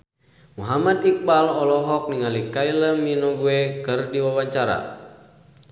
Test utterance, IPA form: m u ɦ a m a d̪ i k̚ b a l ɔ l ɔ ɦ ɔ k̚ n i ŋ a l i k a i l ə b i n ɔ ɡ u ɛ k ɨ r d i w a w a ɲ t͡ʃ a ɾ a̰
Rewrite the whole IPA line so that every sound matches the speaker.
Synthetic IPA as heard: m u ɦ a m a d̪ i k̚ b a l ɔ l ɔ ɦ ɔ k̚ n i ŋ a l i k a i l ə m i n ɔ ɡ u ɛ k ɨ r d i w a w a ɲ t͡ʃ a ɾ a̰